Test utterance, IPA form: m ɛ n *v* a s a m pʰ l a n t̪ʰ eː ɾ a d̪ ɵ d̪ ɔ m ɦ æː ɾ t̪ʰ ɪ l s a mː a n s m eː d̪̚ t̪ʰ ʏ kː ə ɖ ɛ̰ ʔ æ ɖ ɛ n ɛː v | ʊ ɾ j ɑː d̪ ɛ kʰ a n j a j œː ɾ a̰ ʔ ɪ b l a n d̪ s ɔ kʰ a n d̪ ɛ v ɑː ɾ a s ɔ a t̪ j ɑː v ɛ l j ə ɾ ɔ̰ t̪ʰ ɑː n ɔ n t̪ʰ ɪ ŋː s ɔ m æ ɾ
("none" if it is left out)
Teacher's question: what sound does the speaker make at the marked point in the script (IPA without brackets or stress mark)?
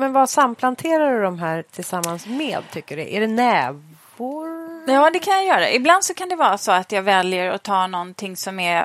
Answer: v